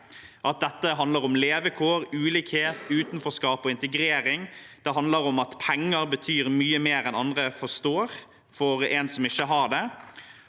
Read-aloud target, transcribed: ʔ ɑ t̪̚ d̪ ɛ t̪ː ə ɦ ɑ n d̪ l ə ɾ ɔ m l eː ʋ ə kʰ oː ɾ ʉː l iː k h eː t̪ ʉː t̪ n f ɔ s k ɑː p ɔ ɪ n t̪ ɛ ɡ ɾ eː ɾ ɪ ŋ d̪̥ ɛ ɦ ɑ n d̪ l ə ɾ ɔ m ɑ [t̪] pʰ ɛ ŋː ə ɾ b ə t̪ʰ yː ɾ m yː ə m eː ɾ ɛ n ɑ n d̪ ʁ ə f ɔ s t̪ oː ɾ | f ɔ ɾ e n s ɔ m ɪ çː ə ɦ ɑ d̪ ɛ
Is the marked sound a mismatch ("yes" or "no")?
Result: no